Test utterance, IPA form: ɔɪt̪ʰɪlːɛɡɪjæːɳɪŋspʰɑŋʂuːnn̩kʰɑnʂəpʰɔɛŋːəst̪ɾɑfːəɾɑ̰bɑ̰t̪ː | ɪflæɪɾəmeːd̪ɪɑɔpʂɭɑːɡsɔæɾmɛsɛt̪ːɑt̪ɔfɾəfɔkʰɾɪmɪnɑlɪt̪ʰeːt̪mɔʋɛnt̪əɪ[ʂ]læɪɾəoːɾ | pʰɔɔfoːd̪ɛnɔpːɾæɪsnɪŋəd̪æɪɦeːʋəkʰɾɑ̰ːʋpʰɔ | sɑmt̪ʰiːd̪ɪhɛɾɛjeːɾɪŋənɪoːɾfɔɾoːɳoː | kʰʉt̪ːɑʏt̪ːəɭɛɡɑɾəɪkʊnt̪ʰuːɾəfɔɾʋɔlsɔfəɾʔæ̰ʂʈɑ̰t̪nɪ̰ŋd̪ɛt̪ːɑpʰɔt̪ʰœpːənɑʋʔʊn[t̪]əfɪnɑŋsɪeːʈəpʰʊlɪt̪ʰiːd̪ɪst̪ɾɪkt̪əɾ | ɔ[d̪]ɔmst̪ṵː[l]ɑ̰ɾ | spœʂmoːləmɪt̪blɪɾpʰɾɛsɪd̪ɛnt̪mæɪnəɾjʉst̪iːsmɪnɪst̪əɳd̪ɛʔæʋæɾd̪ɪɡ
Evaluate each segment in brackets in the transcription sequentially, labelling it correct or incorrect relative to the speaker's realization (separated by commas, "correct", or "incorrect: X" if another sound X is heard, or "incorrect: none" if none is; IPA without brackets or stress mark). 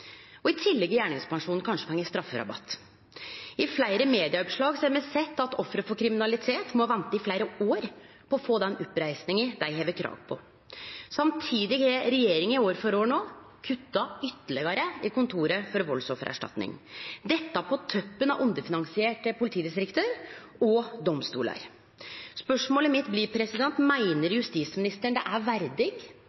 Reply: incorrect: f, incorrect: d̪, correct, correct